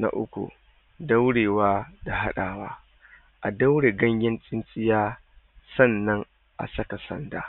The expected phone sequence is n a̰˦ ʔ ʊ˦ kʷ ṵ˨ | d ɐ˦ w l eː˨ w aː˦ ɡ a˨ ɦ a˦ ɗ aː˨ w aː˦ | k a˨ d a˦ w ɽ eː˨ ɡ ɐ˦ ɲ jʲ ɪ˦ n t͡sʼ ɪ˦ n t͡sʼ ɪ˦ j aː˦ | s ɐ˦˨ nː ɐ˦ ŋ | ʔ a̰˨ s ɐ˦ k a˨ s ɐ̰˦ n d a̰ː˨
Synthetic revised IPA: n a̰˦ ʔ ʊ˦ kʷ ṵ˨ | d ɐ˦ w ɽ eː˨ w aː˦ d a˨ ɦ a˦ ɗ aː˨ w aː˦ | ʔ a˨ d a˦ w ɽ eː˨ ɡ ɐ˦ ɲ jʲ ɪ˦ n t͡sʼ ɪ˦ n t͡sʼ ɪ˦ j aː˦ | s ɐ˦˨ nː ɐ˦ ŋ | ʔ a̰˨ s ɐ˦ k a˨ s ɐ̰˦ n d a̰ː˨